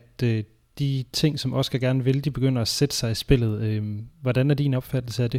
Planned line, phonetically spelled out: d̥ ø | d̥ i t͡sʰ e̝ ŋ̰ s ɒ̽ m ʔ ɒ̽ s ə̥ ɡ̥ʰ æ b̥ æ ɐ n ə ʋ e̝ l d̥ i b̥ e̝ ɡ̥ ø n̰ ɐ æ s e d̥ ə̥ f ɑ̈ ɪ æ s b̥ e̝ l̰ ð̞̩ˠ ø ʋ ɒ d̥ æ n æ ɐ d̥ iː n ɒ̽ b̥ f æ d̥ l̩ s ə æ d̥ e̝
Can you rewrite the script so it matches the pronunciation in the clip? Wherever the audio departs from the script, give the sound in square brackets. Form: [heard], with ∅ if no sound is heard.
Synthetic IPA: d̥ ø | d̥ i t͡sʰ e̝ ŋ̰ s ɒ̽ m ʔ ɒ̽ s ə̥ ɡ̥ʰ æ [ɡ̥] æ ɐ n ə ʋ e̝ l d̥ i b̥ e̝ ɡ̥ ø n̰ ɐ æ s e d̥ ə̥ [s] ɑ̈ ɪ [i] s b̥ e̝ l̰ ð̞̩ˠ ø ʋ ɒ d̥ æ n æ ɐ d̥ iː n ɒ̽ b̥ f æ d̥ l̩ s ə æ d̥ e̝